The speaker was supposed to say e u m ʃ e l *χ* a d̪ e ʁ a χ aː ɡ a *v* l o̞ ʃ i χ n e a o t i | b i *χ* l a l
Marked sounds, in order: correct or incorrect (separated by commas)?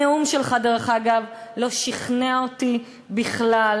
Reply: correct, correct, correct